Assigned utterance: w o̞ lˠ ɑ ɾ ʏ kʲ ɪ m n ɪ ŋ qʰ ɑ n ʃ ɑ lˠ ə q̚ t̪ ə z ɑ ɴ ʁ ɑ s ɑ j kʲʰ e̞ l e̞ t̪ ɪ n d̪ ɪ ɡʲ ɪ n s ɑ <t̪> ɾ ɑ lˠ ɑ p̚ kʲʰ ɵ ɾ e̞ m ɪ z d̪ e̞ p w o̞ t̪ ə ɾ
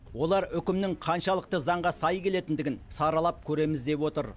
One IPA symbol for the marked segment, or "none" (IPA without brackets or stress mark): none